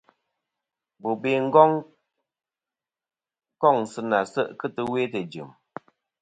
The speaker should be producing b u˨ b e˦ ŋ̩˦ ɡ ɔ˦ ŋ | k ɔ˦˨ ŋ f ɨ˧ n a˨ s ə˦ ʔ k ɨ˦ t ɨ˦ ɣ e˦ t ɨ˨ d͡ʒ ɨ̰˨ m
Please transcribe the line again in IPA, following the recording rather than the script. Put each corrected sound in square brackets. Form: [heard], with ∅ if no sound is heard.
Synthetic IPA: b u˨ b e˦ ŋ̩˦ ɡ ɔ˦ ŋ | k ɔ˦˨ ŋ [s] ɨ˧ n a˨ s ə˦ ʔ k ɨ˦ t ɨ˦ [w] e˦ t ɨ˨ d͡ʒ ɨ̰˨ m